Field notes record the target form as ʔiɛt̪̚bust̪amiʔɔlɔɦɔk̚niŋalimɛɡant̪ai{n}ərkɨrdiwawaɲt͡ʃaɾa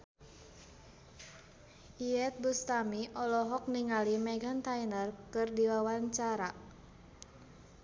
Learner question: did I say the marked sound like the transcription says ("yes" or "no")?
yes